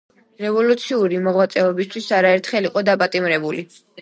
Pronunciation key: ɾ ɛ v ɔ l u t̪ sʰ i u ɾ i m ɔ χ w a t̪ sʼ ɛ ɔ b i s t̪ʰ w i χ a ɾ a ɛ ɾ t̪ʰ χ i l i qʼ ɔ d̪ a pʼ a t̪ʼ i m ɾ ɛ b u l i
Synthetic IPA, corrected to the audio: ɾ ɛ v ɔ l u t̪ sʰ i u ɾ i m ɔ ʁ w a t̪ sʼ ɛ ɔ b i s t̪ʰ w i s a ɾ a ɛ ɾ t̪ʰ χ ɛ l i qʼ ɔ d̪ a pʼ a t̪ʼ i m ɾ ɛ b u l i

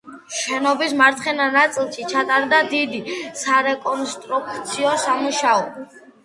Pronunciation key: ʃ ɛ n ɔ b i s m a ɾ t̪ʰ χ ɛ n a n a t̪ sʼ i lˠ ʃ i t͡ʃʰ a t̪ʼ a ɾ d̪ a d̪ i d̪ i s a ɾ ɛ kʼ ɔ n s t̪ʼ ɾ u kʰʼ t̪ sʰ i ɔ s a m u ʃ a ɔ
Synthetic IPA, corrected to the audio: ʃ ɛ n ɔ b i s m a ɾ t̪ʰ χ ɛ n a n a t̪ sʼ i lˠ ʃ i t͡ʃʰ a t̪ʼ a ɾ d̪ a d̪ i d̪ i s a ɾ ɛ kʼ ɔ n s t̪ʼ ɾ u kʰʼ t̪ sʰ i ɔ s a m u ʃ a ɔ

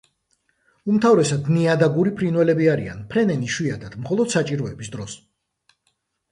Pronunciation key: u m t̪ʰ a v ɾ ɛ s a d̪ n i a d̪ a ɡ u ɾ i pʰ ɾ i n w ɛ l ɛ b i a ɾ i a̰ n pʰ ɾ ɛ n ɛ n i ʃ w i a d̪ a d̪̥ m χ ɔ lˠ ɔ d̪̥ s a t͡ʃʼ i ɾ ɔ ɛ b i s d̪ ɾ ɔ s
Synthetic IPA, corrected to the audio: u m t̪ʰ a v ɾ ɛ s a d̪ n i a d̪ a ɡ u ɾ i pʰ ɾ i n w ɛ l ɛ b i a ɾ i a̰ n pʰ ɾ ɛ n ɛ n i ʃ w i a d̪ a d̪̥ m χ ɔ lˠ ɔ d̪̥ s a t͡ʃʼ i ɾ ɔ ɛ b i s d̪ ɾ ɔ s

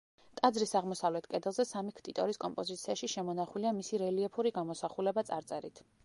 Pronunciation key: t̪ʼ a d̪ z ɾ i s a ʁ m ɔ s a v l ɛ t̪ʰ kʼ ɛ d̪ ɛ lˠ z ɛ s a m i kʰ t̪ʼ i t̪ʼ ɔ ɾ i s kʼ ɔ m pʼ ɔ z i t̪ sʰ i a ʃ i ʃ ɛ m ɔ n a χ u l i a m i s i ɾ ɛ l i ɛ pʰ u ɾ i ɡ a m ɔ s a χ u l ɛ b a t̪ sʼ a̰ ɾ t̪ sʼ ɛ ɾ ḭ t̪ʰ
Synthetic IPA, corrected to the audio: t̪ʼ a d̪ z ɾ i s a ʁ m ɔ s a v l ɛ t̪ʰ kʼ ɛ d̪ ɛ lˠ z ɛ s a m i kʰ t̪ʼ i t̪ʼ ɔ ɾ i s kʼ ɔ m pʼ ɔ z i t̪ sʰ i a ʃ i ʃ ɛ m ɔ n a χ u l i a m i s i ɾ ɛ l i ɛ pʰ u ɾ i ɡ a m ɔ s a χ u l ɛ b a t̪ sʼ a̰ ɾ t̪ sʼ ɛ ɾ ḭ t̪ʰ

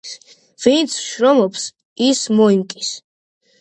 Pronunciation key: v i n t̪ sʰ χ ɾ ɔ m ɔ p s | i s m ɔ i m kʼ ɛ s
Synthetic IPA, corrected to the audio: v i n t̪ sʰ ʃ ɾ ɔ m ɔ p s | i s m ɔ i m kʼ i s

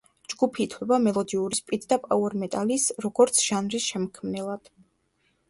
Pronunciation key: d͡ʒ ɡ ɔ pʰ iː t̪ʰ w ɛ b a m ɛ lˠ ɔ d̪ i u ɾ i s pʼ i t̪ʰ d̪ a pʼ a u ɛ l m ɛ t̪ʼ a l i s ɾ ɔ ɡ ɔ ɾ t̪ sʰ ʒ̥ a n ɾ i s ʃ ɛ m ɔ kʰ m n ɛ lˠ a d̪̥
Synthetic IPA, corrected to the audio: d͡ʒ ɡ u pʰ iː t̪ʰ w ɛ b a m ɛ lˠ ɔ d̪ i u ɾ i s pʼ i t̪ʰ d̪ a pʼ a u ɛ ɾ m ɛ t̪ʼ a l i s ɾ ɔ ɡ ɔ ɾ t̪ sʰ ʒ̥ a n ɾ i s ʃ ɛ m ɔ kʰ m n ɛ lˠ a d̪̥

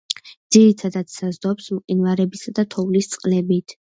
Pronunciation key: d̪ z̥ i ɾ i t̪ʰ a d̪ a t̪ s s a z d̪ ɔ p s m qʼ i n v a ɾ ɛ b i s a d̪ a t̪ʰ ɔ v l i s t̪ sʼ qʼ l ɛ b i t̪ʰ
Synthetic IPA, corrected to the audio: d̪ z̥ i ɾ i t̪ʰ a d̪ a t̪ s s a z d̪ ɔ p s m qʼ i n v a ɾ ɛ b i s a d̪ a t̪ʰ ɔ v l i s t̪ sʼ qʼ l ɛ b i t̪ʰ

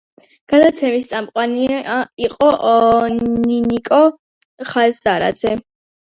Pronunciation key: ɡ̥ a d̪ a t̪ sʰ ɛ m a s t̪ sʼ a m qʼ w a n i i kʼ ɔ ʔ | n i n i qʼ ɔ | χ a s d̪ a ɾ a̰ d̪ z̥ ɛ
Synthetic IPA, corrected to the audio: ɡ̥ a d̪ a t̪ sʰ ɛ m i s t̪ sʼ a m qʼ w a n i i qʼ ɔ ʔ | n i n i kʼ ɔ | χ a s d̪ a ɾ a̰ d̪ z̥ ɛ

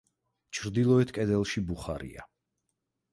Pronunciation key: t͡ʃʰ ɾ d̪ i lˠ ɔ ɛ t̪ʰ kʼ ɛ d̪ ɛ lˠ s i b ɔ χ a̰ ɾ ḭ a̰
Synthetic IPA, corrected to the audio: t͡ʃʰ ɾ d̪ i lˠ ɔ ɛ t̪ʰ kʼ ɛ d̪ ɛ lˠ ʃ i b u χ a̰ ɾ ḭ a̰

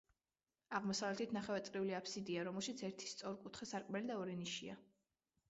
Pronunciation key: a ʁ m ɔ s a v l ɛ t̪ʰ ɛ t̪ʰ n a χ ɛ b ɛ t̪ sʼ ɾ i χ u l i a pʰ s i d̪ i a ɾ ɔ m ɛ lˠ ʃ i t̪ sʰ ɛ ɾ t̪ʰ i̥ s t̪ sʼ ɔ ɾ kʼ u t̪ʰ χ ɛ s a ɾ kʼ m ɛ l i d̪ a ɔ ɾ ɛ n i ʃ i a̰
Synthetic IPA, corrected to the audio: a ʁ m ɔ s a v l ɛ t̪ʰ i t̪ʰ n a χ ɛ v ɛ t̪ sʼ ɾ i u l i a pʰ s i d̪ i a ɾ ɔ m ɛ lˠ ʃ i t̪ sʰ ɛ ɾ t̪ʰ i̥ s t̪ sʼ ɔ ɾ kʼ u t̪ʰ χ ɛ s a ɾ kʼ m ɛ l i d̪ a ɔ ɾ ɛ n i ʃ i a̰

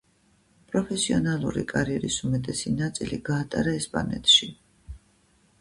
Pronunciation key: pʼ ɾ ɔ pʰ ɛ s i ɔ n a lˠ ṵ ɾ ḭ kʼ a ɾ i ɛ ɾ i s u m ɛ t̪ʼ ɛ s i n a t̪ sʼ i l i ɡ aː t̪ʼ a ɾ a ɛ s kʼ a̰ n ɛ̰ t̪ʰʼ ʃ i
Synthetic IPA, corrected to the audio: pʼ ɾ ɔ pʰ ɛ s i ɔ n a lˠ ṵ ɾ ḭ kʼ a ɾ i ɛ ɾ i s u m ɛ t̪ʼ ɛ s i n a t̪ sʼ i l i ɡ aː t̪ʼ a ɾ a ɛ s pʼ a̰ n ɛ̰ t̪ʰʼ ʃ i

